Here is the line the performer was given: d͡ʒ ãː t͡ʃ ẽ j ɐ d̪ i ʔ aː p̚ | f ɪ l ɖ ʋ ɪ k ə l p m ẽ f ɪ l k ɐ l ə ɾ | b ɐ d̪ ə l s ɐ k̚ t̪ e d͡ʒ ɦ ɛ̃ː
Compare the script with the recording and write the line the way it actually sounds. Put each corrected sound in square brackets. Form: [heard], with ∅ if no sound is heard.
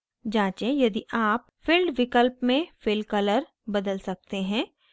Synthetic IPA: d͡ʒ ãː t͡ʃ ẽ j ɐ d̪ i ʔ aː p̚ | f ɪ l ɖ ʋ ɪ k ə l p m ẽ f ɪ l k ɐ l ə ɾ | b ɐ d̪ ə l s ɐ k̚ t̪ e [∅] ɦ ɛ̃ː